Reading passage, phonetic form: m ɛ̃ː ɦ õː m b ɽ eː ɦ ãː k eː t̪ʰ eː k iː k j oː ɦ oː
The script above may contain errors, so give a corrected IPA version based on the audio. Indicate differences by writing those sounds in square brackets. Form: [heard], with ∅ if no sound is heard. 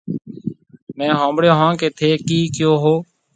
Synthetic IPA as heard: m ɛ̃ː ɦ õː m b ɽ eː ɦ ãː k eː t̪ʰ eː k iː k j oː ɦ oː